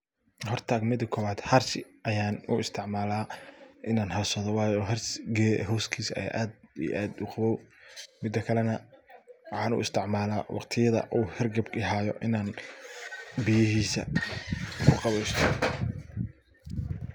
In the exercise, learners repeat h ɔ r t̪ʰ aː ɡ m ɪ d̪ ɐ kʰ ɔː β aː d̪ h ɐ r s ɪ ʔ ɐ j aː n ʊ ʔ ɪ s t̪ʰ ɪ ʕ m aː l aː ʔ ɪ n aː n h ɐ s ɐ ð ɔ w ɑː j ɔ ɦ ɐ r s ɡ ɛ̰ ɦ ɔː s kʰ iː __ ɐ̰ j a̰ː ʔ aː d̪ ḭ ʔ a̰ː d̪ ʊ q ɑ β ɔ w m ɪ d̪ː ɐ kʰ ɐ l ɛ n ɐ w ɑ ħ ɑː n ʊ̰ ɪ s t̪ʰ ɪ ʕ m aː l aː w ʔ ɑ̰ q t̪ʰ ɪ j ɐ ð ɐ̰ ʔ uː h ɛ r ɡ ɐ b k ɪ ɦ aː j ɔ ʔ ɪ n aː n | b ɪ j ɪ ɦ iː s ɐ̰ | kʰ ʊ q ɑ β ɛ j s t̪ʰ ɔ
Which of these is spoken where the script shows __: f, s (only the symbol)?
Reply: s